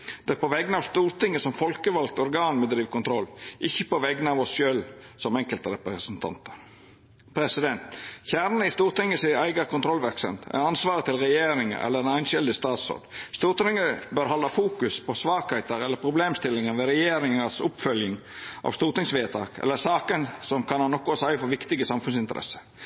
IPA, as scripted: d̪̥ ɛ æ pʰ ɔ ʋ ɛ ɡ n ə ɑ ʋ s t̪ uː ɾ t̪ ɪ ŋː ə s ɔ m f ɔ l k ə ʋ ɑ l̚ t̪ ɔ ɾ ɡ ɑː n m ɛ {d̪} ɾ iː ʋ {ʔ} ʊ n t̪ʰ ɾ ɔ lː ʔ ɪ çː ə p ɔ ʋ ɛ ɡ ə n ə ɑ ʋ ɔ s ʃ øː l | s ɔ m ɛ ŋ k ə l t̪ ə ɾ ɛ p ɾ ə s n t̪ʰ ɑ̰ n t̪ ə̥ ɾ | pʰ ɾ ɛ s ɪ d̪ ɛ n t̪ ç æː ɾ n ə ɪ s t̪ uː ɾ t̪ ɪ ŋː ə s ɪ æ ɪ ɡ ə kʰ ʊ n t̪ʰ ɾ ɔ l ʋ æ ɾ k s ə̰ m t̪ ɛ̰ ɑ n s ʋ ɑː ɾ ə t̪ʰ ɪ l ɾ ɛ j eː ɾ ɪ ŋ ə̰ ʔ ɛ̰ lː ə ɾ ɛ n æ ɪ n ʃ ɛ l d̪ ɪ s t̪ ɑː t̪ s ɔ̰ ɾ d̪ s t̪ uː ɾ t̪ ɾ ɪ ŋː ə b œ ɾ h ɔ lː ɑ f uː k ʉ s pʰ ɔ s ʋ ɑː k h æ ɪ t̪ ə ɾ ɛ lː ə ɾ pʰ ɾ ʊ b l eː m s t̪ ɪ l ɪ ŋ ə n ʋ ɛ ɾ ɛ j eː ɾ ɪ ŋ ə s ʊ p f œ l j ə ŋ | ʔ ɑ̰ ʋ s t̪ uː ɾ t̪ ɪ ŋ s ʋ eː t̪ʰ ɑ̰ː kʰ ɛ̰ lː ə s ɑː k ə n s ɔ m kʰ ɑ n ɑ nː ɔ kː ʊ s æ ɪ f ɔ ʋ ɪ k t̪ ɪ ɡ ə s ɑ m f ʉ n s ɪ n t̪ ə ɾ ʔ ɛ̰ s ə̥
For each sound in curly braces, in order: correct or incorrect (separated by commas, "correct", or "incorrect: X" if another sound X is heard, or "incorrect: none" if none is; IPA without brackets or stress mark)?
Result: correct, incorrect: k